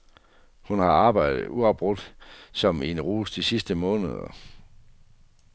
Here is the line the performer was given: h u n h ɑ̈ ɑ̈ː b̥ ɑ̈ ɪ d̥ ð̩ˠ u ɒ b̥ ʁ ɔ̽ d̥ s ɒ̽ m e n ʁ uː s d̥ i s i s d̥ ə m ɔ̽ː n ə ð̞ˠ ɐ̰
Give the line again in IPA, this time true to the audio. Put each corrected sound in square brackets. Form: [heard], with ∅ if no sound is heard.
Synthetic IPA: h u n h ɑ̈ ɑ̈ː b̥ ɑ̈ ɪ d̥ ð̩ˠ u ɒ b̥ ʁ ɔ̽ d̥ s ɒ̽ m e n ʁ uː s d̥ i s i s d̥ ə m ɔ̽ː n ə ð̞ˠ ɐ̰

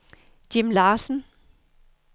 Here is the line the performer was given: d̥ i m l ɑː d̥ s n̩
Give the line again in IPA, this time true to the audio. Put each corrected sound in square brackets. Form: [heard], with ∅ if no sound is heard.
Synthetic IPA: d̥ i m l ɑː [∅] s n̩

